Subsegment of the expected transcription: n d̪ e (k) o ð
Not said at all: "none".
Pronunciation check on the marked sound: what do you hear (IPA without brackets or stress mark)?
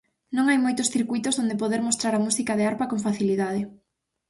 p